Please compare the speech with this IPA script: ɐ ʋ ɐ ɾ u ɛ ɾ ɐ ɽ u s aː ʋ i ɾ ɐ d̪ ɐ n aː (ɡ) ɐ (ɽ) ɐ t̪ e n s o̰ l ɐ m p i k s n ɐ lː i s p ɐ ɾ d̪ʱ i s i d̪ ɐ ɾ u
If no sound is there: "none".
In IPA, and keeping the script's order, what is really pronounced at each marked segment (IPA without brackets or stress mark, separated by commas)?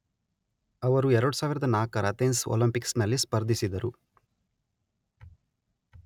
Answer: k, ɾ